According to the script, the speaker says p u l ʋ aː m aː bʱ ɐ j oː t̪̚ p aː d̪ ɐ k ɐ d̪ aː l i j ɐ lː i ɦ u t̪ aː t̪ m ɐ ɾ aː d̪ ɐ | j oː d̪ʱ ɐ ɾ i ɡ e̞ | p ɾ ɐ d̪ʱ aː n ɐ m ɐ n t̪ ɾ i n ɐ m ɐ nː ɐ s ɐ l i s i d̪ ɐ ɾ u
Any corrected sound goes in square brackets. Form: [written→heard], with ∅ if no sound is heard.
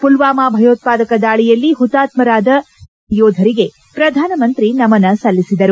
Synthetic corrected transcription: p u l ʋ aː m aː bʱ ɐ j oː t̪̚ p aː d̪ ɐ k ɐ d̪ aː [l→ɭ] i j ɐ lː i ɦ u t̪ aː t̪ m ɐ ɾ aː d̪ ɐ | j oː d̪ʱ ɐ ɾ i ɡ e̞ | p ɾ ɐ d̪ʱ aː n ɐ m ɐ n t̪ ɾ i n ɐ m ɐ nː ɐ s ɐ [l→lː] i s i d̪ ɐ ɾ u